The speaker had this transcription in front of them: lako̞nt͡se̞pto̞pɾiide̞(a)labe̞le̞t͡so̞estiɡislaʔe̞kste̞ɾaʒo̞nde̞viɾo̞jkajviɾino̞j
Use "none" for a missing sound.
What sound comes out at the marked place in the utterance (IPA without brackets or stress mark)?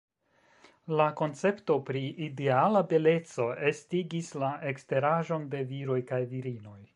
a